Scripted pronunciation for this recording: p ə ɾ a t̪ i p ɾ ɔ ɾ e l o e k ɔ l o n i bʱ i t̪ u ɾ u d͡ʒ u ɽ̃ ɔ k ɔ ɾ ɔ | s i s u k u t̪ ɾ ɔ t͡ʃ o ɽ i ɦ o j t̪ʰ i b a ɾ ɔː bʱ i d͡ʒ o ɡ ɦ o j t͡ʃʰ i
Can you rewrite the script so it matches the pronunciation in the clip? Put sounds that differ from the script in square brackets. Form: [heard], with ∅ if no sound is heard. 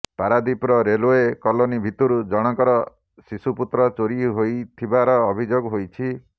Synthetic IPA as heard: p [a] ɾ a [d̪] i p ɾ ɔ ɾ e l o e k ɔ l o n i bʱ i t̪ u ɾ u d͡ʒ [ɔ] ɽ̃ ɔ k ɔ ɾ ɔ | s i s u [p] u t̪ ɾ ɔ t͡ʃ o [ɾ] i ɦ o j t̪ʰ i b a ɾ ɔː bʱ i d͡ʒ o ɡ ɦ o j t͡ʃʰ i